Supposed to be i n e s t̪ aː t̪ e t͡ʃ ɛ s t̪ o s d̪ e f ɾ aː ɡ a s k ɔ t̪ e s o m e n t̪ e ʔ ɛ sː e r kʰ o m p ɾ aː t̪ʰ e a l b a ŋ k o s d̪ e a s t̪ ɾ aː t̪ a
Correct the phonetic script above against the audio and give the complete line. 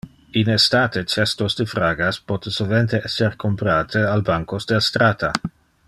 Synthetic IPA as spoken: i n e s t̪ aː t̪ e t͡ʃ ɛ s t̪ o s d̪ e f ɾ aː ɡ a s p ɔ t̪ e s o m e n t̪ e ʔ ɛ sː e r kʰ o m p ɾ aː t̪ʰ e a l b a ŋ k o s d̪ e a s t̪ ɾ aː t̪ a